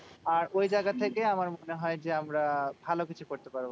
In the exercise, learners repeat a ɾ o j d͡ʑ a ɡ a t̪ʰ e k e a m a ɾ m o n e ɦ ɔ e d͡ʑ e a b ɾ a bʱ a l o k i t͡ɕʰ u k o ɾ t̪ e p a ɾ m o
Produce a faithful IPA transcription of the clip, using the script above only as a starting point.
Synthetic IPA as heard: a ɾ o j d͡ʑ a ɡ a t̪ʰ e k e a m a ɾ m o n e ɦ ɔ e d͡ʑ e a m ɾ a bʱ a l o k i t͡ɕʰ u k o ɾ t̪ e p a ɾ b o